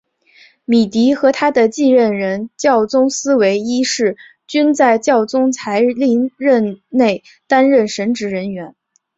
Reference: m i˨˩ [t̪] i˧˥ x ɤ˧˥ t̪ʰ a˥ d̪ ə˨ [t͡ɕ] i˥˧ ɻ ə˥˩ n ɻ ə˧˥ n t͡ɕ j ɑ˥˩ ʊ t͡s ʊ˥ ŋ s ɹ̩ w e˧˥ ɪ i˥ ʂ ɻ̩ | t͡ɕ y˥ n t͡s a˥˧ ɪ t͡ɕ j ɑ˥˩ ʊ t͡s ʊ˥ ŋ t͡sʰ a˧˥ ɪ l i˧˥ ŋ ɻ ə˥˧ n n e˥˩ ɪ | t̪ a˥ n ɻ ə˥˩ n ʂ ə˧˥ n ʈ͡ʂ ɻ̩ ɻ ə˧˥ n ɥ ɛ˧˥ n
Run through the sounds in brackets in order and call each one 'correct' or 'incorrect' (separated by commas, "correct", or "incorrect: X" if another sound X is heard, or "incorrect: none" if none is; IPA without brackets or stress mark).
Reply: correct, correct